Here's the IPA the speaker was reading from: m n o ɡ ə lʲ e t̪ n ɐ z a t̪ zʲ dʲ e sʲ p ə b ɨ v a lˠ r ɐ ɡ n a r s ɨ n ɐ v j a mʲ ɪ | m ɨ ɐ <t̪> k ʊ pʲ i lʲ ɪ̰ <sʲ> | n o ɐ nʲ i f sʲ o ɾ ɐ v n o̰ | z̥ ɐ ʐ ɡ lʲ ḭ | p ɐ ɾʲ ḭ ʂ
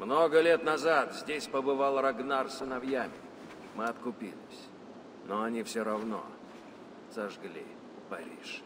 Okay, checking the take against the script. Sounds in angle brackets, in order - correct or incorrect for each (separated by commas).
correct, correct